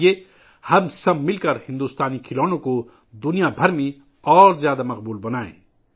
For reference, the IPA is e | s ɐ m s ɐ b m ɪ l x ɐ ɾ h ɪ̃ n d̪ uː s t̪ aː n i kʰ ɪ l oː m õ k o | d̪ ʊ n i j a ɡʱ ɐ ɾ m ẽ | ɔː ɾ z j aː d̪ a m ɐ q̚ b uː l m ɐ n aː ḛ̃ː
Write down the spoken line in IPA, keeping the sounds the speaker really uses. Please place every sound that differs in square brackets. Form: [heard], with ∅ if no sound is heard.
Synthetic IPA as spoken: e | [h] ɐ m s ɐ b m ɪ l [k] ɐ ɾ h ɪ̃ n d̪ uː s t̪ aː n i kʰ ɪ l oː [n] õ k o | d̪ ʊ n i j a [bʱ] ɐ ɾ m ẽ | ɔː ɾ z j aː d̪ a m ɐ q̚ b uː l [b] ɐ n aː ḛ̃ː

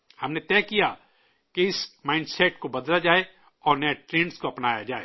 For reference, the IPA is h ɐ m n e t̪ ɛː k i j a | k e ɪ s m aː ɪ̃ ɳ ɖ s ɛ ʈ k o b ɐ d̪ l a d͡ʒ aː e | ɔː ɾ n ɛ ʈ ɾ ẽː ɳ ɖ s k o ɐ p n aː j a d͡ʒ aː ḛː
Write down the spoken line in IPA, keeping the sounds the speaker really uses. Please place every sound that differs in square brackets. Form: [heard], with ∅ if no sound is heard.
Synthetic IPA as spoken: h ɐ m n e t̪ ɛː k i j a | k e ɪ s m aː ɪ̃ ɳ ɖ s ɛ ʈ k o b ɐ d̪ l a d͡ʒ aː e | ɔː ɾ n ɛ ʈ ɾ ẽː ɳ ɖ s k o ɐ p n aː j a d͡ʒ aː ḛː

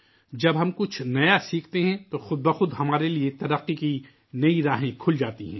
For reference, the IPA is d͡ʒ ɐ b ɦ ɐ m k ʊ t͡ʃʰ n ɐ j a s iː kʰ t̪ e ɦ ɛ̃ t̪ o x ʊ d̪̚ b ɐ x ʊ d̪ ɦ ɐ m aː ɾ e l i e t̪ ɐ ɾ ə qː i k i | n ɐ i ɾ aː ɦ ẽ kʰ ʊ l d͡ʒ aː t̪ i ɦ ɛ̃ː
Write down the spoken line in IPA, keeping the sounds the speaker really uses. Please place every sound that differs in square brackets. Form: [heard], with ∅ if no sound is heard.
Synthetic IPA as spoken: d͡ʒ ɐ b ɦ ɐ m k ʊ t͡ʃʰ n ɐ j a s iː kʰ t̪ e ɦ ɛ̃ t̪ o x ʊ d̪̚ b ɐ x ʊ d̪ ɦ ɐ m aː ɾ e l i e t̪ ɐ ɾ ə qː i k i | n ɐ i ɾ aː ɦ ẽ kʰ ʊ l d͡ʒ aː t̪ i ɦ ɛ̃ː

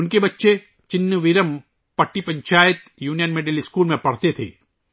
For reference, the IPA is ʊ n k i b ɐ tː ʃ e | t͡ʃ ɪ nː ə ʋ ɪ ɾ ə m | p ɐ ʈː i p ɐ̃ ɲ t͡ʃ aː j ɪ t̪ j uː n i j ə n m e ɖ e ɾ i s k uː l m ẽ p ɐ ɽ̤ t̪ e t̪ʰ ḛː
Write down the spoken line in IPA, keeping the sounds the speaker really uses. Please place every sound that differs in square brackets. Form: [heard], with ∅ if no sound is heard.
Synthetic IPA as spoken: ʊ n k [e] b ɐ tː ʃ e | t͡ʃ ɪ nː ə ʋ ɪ ɾ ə m | p ɐ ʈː i p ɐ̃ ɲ t͡ʃ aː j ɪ t̪ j uː n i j ə n m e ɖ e [l] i s k uː l m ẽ p ɐ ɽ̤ t̪ e t̪ʰ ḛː

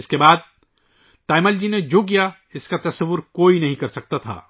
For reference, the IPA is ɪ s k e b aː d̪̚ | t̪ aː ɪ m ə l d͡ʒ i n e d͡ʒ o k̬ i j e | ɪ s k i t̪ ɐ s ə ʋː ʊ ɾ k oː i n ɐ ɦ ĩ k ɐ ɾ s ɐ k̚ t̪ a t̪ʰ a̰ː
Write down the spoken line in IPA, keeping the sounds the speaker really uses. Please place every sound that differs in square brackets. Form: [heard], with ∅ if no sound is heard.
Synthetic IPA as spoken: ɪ s k e b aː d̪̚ | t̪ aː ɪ m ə l d͡ʒ i n e d͡ʒ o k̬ i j [a] | ɪ s k [a] t̪ ɐ s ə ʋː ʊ ɾ k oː i n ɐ ɦ ĩ k ɐ ɾ s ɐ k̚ t̪ a t̪ʰ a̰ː

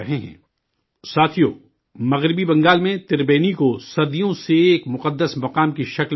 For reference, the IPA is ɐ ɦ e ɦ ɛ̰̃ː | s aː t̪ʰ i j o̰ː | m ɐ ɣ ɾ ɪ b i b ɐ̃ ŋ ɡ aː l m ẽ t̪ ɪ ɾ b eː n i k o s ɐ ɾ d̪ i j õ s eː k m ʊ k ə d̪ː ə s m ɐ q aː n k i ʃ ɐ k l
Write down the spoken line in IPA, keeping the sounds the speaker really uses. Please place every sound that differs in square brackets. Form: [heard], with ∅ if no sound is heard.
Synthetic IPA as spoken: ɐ ɦ e ɦ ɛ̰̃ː | s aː t̪ʰ i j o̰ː | m ɐ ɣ ɾ ɪ b i b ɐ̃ ŋ ɡ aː l m ẽ t̪ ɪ ɾ b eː n i k o s ɐ ɾ d̪ i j õ s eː k m ʊ [q] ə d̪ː ə s m ɐ q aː [m] k i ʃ ɐ k l

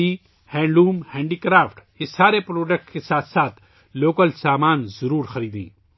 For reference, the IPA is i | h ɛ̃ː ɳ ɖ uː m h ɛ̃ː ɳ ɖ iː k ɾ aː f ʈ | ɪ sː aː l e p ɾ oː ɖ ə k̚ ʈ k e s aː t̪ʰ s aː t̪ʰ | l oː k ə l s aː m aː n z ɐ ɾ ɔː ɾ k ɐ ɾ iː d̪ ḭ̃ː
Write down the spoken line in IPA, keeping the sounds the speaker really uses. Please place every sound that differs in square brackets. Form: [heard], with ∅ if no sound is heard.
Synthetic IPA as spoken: i | h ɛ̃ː ɳ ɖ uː m h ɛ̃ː ɳ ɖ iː k ɾ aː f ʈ | ɪ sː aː [ɾ] e p ɾ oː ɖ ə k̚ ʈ k e s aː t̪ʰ s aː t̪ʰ | l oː k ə l s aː m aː n z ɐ ɾ [uː] ɾ [x] ɐ ɾ iː d̪ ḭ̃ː

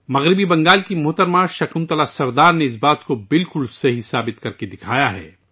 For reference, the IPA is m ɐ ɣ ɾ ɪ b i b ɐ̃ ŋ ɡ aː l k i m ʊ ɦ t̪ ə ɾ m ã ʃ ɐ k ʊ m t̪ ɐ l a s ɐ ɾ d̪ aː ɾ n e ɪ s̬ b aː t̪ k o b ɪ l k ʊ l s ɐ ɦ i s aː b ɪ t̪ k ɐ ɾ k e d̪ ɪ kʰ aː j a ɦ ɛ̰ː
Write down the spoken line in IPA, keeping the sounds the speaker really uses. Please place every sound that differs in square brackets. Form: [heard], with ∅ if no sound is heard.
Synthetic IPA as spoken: m ɐ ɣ ɾ ɪ b i b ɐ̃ ŋ ɡ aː l k i m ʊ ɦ t̪ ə ɾ m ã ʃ ɐ k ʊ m t̪ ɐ l a s ɐ ɾ d̪ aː ɾ n e ɪ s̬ b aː t̪ k o b ɪ l k ʊ l s ɐ ɦ i s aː b ɪ t̪ k ɐ ɾ k e d̪ ɪ kʰ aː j a ɦ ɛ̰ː

